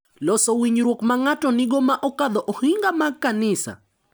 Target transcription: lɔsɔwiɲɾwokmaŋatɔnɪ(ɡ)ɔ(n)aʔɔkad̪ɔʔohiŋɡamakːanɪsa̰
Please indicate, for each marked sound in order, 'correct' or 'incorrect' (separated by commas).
correct, incorrect